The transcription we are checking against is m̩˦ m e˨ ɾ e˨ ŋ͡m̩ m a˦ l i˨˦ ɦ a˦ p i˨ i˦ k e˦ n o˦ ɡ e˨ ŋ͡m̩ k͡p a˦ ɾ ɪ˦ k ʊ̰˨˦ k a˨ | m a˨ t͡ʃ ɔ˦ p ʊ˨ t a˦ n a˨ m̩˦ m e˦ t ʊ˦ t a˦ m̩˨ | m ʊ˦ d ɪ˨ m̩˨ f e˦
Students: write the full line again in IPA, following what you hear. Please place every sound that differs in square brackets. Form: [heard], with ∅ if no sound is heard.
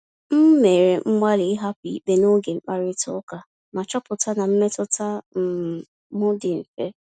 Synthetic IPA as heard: m̩˦ m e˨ ɾ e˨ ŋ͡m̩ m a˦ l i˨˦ ɦ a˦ p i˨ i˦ [k͡p] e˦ n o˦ ɡ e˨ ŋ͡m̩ k͡p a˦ ɾ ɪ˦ [t] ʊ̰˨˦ k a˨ | m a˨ t͡ʃ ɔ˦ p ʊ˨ t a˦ n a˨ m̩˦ m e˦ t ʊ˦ t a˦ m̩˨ | m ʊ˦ d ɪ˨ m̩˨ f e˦